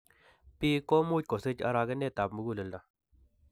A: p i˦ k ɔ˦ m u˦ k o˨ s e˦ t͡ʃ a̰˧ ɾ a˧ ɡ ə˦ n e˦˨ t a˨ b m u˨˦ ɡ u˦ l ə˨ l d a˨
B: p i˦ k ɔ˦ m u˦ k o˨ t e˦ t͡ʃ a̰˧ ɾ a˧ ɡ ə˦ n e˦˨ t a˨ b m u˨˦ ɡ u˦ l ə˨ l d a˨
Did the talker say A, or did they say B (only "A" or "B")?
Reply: A